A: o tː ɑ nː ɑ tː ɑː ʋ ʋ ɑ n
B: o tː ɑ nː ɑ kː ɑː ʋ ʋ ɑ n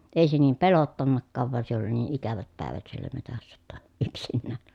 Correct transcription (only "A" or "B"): B